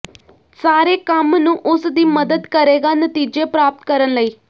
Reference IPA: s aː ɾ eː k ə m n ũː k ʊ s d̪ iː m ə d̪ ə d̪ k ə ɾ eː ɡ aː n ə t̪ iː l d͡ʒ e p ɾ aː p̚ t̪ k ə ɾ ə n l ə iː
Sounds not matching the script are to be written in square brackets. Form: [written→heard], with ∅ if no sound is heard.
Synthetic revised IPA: s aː ɾ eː k ə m n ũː [k→ʔ] ʊ s d̪ iː m ə d̪ ə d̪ k ə ɾ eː ɡ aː n ə t̪ iː [l→∅] d͡ʒ e p ɾ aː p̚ t̪ k ə ɾ ə n l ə iː